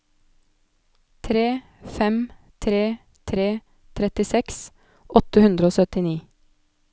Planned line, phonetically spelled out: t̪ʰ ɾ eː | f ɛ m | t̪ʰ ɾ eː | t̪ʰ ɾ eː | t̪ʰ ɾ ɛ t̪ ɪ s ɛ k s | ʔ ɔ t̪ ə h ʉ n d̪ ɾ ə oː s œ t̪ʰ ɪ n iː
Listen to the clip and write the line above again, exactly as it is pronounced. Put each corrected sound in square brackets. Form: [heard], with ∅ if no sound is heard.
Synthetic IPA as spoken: t̪ʰ ɾ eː | f ɛ m | t̪ʰ ɾ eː | t̪ʰ ɾ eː | t̪ʰ ɾ ɛ t̪ ɪ s ɛ k s | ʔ ɔ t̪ ə h ʉ n d̪ ɾ ə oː s œ [t̪] ɪ n iː

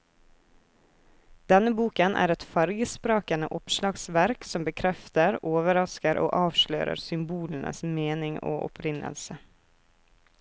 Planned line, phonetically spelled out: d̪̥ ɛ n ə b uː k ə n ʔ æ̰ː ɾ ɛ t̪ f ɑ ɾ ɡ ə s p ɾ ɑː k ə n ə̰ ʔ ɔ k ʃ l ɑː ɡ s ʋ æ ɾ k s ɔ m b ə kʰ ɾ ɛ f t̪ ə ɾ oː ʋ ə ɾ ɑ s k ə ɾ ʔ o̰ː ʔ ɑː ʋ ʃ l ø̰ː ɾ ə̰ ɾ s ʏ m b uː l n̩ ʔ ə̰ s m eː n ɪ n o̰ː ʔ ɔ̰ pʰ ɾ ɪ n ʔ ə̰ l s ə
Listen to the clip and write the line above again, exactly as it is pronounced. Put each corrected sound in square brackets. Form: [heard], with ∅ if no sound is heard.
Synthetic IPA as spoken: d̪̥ ɛ n ə b uː k ə n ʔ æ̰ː ɾ ɛ t̪ f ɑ ɾ ɡ ə s p ɾ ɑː k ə n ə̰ ʔ ɔ [p] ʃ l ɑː ɡ s ʋ æ ɾ k s ɔ m b ə kʰ ɾ ɛ f t̪ ə ɾ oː ʋ ə ɾ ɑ s k ə ɾ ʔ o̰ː ʔ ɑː ʋ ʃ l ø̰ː ɾ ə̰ ɾ s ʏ m b uː l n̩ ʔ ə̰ s m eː n ɪ [ŋ] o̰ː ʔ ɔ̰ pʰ ɾ ɪ n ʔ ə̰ l s ə

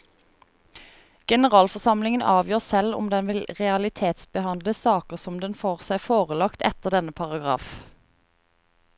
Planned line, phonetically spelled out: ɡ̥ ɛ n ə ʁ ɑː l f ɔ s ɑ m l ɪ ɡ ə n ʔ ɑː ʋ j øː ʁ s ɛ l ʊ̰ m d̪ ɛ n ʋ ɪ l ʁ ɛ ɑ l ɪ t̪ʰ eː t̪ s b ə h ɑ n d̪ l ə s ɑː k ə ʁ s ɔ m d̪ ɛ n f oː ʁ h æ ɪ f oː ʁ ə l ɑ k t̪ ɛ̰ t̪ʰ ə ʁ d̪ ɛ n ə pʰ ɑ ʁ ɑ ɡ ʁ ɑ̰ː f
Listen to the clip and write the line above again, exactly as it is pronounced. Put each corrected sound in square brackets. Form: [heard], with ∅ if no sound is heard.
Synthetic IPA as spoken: ɡ̥ ɛ n ə ʁ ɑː l f ɔ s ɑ m l ɪ [ŋ] ə n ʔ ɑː ʋ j øː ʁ s ɛ l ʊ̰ m d̪ ɛ n ʋ ɪ l ʁ ɛ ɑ l ɪ t̪ʰ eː t̪ s b ə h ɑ n d̪ l ə s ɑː k ə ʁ s ɔ m d̪ ɛ n f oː ʁ [s] æ ɪ f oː ʁ ə l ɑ k t̪ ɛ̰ [t̪] ə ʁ d̪ ɛ n ə pʰ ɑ ʁ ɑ ɡ ʁ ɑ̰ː f

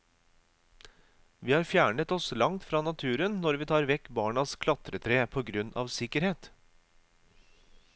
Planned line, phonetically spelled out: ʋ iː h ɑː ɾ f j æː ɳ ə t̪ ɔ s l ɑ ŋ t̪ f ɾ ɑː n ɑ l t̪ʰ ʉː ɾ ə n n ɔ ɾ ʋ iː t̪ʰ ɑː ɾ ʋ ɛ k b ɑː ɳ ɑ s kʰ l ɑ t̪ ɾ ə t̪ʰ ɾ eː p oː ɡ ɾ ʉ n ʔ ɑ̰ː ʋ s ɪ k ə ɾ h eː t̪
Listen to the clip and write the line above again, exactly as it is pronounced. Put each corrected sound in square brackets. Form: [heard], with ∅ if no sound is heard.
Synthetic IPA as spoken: ʋ iː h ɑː ɾ f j æː ɳ ə t̪ ɔ s l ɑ ŋ t̪ f ɾ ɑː n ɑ [∅] t̪ʰ ʉː ɾ ə n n ɔ ɾ ʋ iː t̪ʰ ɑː ɾ ʋ ɛ k b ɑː ɳ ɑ s kʰ l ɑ t̪ ɾ ə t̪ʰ ɾ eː [pʰ] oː ɡ ɾ ʉ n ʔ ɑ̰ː ʋ s ɪ k ə ɾ h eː t̪

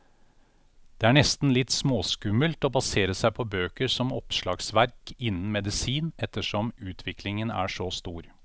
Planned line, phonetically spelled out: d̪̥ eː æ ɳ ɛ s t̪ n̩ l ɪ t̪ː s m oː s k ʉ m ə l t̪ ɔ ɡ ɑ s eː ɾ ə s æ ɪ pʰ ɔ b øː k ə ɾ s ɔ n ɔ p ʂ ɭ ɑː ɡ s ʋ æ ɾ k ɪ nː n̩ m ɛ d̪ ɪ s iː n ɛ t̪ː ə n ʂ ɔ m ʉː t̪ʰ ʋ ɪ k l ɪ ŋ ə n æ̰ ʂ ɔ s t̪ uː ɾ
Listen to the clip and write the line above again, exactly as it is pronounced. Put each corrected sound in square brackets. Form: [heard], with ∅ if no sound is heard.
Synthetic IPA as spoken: d̪̥ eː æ ɳ ɛ s t̪ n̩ l ɪ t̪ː s m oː s k ʉ m ə l t̪ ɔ [b] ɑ s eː ɾ ə s æ ɪ pʰ ɔ b øː k ə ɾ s ɔ [m] ɔ p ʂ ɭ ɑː ɡ s ʋ æ ɾ k ɪ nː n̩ m ɛ d̪ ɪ s iː n ɛ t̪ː ə [∅] ʂ ɔ m ʉː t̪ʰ ʋ ɪ k l ɪ ŋ ə n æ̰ ʂ ɔ s t̪ uː ɾ

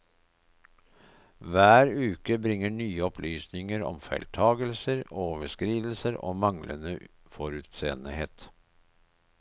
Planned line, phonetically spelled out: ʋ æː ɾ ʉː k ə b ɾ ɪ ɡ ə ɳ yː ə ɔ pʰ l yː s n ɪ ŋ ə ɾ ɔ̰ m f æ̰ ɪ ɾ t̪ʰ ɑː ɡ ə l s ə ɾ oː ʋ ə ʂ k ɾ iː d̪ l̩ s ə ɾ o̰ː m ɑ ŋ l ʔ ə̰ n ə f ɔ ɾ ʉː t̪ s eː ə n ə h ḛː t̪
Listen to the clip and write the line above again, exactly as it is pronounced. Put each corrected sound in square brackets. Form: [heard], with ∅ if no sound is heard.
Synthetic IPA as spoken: ʋ æː ɾ ʉː k ə b ɾ ɪ [ŋ] ə ɳ yː ə ɔ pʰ l yː s n ɪ ŋ ə ɾ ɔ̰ m f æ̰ ɪ [l] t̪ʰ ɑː ɡ ə l s ə ɾ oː ʋ ə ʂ k ɾ iː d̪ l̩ s ə ɾ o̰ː m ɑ ŋ l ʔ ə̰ n ə f ɔ ɾ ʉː t̪ s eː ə n ə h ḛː t̪

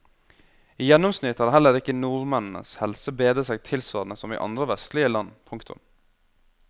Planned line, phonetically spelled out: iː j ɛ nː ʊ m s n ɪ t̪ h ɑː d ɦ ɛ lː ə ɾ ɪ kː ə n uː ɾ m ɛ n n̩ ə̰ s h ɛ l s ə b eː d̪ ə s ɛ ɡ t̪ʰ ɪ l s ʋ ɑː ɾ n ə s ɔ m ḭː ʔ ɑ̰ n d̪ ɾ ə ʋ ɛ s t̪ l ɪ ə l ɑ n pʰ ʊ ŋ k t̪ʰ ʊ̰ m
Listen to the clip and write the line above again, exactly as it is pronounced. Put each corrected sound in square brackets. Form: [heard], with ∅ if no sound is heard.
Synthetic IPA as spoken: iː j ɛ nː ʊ m s n ɪ t̪ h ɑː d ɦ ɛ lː ə ɾ ɪ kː ə n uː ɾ m ɛ n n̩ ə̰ s h ɛ l s ə b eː d̪ ə s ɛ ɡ t̪ʰ ɪ l s ʋ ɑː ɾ n ə s ɔ m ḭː ʔ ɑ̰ n d̪ ɾ ə ʋ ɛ s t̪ l ɪ ə l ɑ n pʰ ʊ ŋ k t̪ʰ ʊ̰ m

